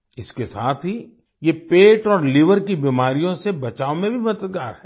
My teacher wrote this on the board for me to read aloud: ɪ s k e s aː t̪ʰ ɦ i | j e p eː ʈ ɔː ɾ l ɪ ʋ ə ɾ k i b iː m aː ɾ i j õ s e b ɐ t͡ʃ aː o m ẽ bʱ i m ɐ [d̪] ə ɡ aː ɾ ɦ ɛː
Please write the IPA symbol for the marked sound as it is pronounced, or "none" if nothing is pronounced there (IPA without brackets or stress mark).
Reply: t̪